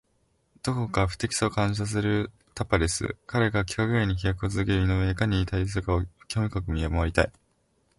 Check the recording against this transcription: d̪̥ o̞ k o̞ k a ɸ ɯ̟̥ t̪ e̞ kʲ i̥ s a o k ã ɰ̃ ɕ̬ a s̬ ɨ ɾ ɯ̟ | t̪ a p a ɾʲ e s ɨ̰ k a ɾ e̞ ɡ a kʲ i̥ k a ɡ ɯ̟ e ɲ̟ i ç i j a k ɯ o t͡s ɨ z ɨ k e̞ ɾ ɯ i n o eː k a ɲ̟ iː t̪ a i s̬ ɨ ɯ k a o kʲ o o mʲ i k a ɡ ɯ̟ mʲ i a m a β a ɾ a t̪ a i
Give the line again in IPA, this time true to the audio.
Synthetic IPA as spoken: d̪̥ o̞ k o̞ k a ɸ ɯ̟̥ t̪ e̞ kʲ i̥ s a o k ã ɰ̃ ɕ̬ a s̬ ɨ ɾ ɯ̟ | t̪ a p a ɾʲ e s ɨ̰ k a ɾ e̞ ɡ a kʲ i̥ k a ɡ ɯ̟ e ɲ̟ i ç i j a k ɯ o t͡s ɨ z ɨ k e̞ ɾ ɯ i n o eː k a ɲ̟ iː t̪ a i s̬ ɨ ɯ k a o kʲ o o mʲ i k a k ɯ̟ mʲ i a m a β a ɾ i t̪ a i